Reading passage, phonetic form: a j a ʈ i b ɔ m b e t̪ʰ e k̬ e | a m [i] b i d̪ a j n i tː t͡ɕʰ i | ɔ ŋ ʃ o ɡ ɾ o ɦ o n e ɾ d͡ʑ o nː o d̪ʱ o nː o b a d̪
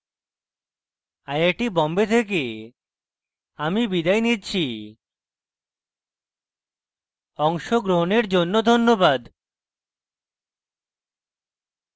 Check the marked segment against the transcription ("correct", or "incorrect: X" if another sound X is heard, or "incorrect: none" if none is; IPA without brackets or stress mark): correct